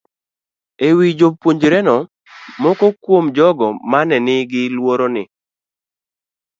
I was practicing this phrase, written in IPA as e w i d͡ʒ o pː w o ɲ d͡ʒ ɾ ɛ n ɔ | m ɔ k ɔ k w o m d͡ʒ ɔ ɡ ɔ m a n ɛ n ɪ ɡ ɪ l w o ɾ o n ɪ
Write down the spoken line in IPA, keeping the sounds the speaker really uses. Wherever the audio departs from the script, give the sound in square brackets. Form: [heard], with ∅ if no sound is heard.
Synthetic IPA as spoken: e w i d͡ʒ o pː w o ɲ d͡ʒ ɾ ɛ n ɔ | m ɔ k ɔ k w o m d͡ʒ ɔ ɡ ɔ m a n ɛ n ɪ ɡ ɪ l w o ɾ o n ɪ